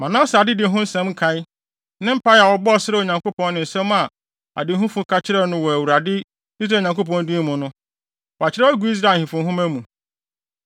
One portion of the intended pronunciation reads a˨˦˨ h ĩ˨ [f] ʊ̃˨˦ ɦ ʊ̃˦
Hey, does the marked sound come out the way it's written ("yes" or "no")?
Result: yes